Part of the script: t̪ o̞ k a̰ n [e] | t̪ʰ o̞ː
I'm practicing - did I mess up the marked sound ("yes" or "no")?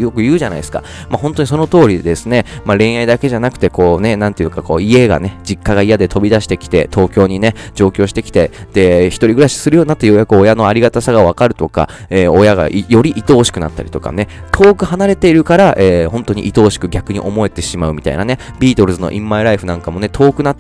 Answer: no